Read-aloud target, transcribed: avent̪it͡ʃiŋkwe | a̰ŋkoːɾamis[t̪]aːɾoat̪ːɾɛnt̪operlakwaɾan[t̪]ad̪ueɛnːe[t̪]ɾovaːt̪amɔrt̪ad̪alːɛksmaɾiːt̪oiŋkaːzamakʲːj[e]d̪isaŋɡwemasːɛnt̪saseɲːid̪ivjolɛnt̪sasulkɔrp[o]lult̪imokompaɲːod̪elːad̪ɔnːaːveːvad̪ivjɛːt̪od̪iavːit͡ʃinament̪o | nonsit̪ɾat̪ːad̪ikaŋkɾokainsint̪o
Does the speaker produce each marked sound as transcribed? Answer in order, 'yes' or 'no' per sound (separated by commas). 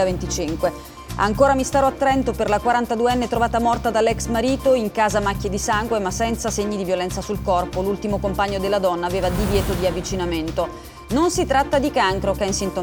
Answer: yes, yes, yes, yes, yes